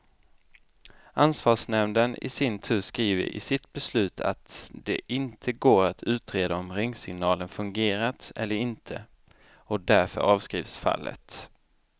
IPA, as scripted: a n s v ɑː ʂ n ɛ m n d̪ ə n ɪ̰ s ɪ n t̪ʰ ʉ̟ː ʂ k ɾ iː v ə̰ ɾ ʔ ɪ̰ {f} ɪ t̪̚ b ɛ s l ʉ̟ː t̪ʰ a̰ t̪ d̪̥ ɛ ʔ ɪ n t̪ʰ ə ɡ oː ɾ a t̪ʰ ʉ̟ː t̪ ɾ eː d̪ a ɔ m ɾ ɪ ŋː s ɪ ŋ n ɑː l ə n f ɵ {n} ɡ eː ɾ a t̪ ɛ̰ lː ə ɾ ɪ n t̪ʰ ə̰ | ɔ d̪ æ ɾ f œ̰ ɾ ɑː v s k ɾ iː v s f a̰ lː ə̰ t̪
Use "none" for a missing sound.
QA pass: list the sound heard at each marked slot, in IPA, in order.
s, ŋ

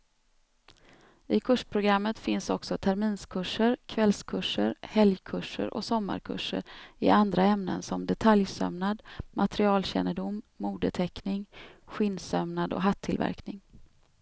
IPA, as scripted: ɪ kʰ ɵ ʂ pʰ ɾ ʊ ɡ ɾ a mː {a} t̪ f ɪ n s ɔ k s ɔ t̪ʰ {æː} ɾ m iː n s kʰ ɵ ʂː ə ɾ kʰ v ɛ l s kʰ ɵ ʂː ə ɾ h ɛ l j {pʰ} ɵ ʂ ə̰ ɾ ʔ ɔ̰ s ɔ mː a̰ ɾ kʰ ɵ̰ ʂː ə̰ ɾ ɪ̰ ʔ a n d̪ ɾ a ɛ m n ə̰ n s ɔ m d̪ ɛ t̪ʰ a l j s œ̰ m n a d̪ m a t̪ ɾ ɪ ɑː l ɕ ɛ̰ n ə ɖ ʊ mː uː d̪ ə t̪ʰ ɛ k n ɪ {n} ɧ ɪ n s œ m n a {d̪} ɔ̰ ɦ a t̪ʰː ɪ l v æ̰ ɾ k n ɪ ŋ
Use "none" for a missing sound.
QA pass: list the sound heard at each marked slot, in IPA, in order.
ə, æ, kʰ, ŋ, d̪

